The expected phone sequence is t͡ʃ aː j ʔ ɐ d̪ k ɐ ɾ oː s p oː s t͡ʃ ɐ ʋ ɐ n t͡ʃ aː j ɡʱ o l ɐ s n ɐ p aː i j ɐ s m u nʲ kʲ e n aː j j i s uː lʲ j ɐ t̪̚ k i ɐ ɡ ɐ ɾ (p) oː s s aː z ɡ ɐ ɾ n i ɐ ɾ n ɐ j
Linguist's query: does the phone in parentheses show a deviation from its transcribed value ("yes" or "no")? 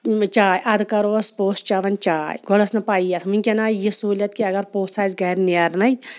no